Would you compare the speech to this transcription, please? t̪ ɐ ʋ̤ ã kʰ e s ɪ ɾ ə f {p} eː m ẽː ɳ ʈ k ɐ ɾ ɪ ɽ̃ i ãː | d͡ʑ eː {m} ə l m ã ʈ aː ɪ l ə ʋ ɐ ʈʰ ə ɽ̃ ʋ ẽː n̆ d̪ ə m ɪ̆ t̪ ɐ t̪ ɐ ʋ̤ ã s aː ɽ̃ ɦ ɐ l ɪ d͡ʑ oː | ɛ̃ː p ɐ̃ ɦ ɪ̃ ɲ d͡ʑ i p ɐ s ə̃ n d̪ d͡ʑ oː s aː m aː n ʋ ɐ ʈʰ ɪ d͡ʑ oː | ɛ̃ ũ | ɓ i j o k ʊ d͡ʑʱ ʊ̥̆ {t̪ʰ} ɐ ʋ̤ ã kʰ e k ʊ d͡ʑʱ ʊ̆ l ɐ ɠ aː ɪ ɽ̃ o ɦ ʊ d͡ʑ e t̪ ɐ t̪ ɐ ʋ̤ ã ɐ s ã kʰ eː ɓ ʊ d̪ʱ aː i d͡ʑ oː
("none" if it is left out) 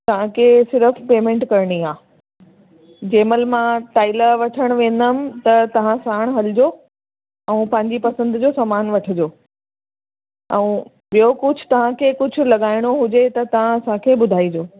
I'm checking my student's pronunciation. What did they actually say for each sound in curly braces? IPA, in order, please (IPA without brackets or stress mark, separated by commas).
p, m, t̪